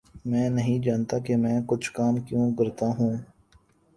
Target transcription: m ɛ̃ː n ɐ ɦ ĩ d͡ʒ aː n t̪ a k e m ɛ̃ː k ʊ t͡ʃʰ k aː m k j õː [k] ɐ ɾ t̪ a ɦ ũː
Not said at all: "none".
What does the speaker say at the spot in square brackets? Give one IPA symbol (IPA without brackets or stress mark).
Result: k